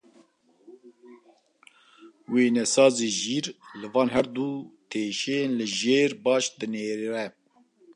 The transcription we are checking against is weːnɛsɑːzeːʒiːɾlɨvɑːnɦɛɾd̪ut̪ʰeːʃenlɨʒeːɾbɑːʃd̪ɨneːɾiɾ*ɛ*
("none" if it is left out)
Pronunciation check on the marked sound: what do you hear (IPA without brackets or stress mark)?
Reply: ɛ